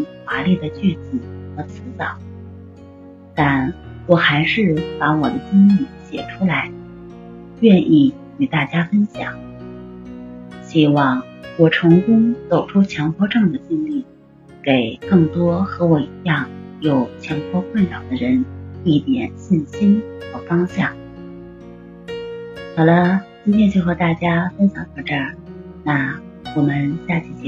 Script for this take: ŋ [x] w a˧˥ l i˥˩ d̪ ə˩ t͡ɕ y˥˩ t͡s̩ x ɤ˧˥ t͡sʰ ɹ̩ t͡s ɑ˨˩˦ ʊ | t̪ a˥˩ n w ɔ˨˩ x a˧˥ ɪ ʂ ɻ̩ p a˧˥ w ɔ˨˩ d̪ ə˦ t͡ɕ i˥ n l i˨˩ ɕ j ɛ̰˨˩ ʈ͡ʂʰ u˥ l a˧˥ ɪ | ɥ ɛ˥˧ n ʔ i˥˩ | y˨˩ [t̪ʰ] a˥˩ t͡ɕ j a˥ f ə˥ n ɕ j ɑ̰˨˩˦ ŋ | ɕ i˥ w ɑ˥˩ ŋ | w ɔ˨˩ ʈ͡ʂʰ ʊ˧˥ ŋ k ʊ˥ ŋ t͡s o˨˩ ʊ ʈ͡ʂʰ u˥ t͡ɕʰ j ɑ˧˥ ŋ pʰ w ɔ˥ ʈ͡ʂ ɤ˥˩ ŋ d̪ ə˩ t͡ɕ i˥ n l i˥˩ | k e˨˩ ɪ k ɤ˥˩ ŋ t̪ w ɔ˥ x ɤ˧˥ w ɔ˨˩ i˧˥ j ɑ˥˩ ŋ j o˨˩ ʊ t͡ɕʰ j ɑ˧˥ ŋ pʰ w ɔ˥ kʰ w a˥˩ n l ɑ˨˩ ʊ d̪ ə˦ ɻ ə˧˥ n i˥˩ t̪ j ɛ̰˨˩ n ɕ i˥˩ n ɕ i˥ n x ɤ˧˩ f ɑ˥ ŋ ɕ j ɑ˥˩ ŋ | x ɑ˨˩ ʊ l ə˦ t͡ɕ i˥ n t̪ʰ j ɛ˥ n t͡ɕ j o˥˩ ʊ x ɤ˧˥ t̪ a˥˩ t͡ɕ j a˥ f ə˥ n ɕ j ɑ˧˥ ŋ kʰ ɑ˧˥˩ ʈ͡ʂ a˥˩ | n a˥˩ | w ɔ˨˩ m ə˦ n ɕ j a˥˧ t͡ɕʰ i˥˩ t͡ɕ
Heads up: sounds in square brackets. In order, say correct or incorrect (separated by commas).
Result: correct, incorrect